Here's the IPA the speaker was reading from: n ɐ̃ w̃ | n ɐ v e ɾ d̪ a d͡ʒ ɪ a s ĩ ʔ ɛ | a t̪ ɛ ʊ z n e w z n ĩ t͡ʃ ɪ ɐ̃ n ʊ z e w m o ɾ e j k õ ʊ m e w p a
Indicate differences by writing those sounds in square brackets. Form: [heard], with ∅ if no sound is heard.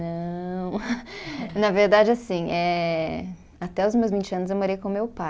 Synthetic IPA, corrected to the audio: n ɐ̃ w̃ | n ɐ v e ɾ d̪ a d͡ʒ ɪ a s ĩ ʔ ɛ | a t̪ ɛ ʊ z [m] e w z [m] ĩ t͡ʃ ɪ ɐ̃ n ʊ z e w m o ɾ e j k õ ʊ m e w p a